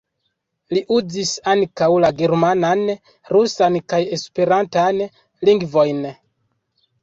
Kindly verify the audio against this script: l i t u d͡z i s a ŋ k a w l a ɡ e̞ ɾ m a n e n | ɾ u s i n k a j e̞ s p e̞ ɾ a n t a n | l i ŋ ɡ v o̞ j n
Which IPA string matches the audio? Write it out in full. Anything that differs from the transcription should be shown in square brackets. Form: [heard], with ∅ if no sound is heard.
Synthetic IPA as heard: l i [ʔ] u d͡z i s a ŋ k a w l a ɡ e̞ ɾ m a n [a] n | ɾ u s [a] n k a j e̞ s p e̞ ɾ a n t a n | l i ŋ ɡ v o̞ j n